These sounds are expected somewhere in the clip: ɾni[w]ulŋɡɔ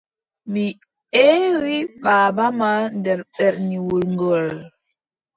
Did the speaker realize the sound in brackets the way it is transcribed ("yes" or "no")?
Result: yes